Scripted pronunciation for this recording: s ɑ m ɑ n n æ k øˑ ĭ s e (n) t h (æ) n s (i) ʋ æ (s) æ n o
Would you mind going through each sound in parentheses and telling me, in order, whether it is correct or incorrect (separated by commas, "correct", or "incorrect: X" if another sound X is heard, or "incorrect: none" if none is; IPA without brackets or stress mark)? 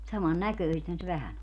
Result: incorrect: none, correct, incorrect: e, incorrect: h